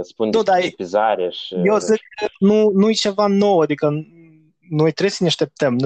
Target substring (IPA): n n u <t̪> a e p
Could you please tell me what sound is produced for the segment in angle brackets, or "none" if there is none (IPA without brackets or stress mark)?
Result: d̪